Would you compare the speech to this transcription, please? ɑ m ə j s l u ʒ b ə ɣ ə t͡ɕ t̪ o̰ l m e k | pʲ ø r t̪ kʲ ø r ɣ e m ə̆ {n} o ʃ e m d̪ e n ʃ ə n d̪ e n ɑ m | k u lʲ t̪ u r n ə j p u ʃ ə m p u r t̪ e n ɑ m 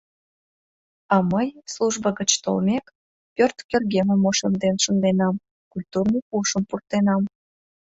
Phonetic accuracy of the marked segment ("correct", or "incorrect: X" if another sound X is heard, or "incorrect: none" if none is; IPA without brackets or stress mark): incorrect: m